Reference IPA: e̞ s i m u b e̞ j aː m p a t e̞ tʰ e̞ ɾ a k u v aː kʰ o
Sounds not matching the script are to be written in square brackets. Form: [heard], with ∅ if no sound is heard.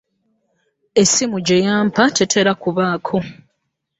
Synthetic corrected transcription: e̞ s i m u [ɟ] e̞ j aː m p a t e̞ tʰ e̞ ɾ a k u [β] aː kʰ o